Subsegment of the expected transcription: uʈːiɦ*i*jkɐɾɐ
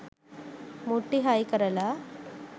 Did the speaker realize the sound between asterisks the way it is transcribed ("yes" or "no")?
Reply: no